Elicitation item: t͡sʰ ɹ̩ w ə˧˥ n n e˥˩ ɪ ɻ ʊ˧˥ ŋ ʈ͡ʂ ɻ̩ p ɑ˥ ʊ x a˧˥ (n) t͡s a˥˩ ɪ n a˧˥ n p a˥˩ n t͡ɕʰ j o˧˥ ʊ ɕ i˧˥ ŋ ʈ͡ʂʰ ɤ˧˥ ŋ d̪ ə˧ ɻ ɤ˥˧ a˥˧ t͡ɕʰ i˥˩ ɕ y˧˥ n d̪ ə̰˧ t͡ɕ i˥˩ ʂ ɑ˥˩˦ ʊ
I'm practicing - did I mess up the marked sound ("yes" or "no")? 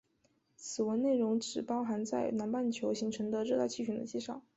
no